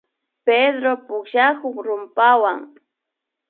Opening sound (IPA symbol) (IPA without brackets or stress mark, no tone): p